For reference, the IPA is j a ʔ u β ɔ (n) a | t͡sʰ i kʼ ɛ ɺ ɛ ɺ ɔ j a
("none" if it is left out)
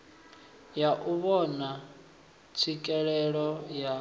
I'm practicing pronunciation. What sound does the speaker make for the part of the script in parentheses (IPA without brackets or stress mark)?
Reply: n